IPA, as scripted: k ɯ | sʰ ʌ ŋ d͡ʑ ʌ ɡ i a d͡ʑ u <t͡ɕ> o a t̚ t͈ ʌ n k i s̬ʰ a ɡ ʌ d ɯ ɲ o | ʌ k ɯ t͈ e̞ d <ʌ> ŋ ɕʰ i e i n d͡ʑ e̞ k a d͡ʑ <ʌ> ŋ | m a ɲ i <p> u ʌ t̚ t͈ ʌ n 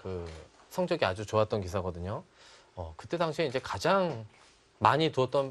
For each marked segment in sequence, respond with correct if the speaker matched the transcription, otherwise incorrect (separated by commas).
correct, incorrect, incorrect, incorrect